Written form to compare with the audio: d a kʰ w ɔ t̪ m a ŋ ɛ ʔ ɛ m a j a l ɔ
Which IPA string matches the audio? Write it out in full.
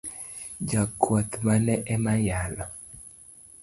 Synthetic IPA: d͡ʒ a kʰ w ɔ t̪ m a n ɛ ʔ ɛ m a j a l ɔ